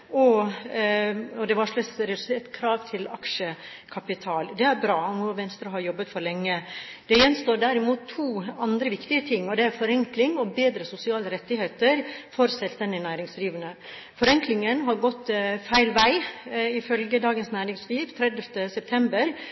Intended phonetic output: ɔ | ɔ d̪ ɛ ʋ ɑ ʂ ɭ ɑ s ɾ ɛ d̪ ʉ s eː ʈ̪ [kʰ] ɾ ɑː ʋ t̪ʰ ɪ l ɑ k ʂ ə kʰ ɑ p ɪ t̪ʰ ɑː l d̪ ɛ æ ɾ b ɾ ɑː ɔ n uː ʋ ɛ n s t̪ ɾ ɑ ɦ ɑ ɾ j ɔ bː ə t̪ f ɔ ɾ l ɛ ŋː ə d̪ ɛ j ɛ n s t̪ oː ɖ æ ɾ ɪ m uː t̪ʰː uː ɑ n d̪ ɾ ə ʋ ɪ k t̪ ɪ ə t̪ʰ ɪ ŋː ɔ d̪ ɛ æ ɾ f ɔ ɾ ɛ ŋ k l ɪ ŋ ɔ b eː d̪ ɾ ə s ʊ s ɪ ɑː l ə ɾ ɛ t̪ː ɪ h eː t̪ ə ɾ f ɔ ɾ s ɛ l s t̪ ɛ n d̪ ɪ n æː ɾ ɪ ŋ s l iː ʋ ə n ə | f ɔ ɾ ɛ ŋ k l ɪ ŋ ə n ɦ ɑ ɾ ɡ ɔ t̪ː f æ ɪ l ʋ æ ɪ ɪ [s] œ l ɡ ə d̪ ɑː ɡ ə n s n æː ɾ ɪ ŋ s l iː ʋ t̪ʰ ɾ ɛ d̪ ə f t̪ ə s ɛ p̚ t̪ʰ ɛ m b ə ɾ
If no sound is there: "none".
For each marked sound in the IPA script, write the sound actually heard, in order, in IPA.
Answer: kʰ, f

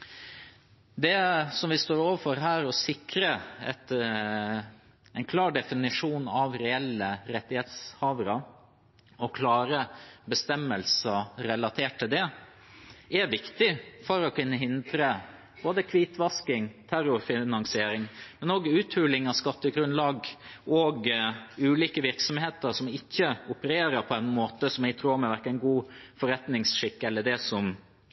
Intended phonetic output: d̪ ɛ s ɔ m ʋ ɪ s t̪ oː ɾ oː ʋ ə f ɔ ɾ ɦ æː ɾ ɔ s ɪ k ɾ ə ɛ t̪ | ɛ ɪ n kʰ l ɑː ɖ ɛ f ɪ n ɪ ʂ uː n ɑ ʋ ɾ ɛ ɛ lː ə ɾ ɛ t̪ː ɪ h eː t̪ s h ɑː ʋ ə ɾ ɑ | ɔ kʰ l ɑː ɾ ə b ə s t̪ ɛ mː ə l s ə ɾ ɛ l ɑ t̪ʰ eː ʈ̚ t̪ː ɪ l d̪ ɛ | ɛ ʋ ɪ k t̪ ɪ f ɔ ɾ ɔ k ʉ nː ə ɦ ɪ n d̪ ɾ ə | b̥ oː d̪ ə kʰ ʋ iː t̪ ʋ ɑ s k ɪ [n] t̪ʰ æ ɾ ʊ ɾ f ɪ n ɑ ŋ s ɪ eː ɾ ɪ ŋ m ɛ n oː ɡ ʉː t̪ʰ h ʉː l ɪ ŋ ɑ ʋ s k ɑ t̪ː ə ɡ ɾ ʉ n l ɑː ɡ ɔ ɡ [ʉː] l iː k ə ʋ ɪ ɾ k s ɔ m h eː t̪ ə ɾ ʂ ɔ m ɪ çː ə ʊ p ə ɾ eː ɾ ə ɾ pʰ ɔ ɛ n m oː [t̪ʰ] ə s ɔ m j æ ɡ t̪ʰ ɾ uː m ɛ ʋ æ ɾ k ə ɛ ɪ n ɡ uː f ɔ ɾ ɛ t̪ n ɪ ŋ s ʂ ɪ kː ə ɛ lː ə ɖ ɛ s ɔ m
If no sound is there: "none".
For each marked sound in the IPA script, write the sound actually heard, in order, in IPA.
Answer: ŋ, ʉː, t̪

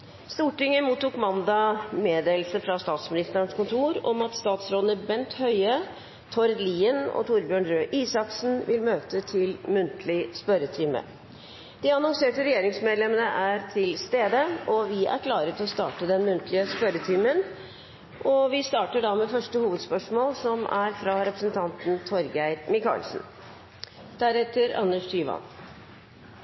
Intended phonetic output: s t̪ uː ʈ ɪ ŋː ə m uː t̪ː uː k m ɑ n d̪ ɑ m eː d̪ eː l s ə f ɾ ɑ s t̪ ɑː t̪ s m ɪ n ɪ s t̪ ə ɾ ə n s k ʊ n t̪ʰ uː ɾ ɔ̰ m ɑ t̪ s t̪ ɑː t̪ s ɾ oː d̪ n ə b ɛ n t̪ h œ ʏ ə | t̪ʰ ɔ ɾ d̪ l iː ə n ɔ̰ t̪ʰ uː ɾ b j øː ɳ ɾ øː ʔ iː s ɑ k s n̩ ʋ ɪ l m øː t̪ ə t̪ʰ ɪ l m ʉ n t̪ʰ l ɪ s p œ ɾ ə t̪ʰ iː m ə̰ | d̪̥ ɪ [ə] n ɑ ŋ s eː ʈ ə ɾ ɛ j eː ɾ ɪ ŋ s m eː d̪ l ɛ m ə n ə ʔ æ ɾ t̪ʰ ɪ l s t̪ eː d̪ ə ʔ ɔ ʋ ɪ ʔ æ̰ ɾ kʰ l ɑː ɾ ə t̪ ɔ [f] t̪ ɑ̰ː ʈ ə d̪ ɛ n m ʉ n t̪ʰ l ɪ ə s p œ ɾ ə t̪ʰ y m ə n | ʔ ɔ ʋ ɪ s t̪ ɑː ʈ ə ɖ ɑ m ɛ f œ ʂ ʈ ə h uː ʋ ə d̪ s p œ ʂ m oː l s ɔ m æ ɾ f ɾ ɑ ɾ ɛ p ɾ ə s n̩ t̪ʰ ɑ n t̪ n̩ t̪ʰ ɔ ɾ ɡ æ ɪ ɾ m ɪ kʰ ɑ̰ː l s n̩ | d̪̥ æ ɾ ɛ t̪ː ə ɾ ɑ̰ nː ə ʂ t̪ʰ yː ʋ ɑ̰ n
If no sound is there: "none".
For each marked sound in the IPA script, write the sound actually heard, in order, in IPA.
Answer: ɑ, s

